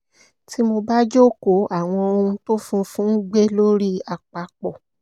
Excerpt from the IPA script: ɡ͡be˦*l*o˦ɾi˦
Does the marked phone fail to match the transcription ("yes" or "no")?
no